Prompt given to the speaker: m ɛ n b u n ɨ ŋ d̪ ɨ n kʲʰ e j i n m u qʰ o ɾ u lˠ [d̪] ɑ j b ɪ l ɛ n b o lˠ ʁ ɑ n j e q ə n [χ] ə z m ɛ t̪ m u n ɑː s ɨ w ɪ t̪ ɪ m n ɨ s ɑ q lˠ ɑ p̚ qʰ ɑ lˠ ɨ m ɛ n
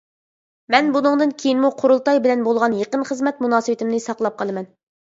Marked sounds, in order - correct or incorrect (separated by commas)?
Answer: incorrect, correct